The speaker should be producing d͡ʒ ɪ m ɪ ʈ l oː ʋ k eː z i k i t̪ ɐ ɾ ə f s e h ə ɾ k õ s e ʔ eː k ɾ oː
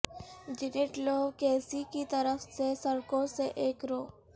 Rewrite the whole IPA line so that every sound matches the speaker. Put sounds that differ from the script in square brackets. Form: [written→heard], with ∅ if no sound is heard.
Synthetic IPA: d͡ʒ ɪ [m→n] ɪ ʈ l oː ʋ k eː [z→s] i k i t̪ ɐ ɾ ə f s e [h→s] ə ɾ k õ s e ʔ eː k ɾ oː